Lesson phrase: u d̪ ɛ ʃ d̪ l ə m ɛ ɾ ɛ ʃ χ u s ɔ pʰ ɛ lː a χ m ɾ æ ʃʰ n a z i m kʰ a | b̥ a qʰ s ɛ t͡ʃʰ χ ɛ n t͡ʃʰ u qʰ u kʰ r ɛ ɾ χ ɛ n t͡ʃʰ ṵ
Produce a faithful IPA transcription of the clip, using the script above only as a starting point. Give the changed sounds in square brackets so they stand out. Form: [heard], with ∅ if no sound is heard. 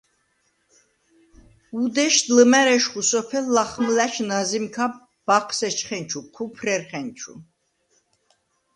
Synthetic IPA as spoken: u d̪ ɛ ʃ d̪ l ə m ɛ ɾ ɛ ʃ χ u s ɔ pʰ ɛ lː a χ m [l] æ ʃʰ n a z i m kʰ a | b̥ a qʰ s ɛ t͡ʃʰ χ ɛ n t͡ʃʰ u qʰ u [pʰ] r ɛ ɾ χ ɛ n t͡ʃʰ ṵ